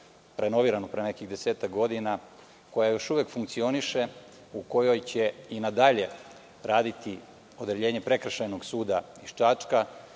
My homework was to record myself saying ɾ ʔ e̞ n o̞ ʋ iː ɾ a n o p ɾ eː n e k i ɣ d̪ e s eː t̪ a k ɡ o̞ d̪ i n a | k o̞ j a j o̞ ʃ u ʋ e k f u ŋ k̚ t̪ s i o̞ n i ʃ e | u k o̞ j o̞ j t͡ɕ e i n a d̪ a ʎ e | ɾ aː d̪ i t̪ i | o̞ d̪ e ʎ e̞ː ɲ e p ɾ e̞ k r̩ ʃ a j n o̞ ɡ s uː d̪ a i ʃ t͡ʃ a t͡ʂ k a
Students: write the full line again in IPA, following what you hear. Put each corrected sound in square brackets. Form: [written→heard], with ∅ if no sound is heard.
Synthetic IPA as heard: ɾ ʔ e̞ n o̞ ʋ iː ɾ a n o p ɾ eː n e k i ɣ d̪ e s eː t̪ a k ɡ o̞ d̪ i n a | k o̞ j a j o̞ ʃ u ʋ e k f u ŋ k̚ t̪ s i o̞ n i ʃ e | u k o̞ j o̞ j t͡ɕ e i n a d̪ a ʎ e | ɾ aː d̪ i t̪ i | o̞ d̪ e ʎ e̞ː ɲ e p ɾ e̞ k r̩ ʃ a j n o̞ ɡ s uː d̪ a i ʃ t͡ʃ a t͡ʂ k a